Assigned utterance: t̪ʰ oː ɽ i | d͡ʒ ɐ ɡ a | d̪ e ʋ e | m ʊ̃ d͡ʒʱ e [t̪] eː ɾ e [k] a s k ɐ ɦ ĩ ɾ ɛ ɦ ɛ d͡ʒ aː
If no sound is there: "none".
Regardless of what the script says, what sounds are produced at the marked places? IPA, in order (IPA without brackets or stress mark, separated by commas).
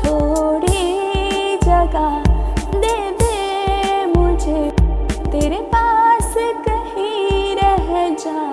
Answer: t̪, p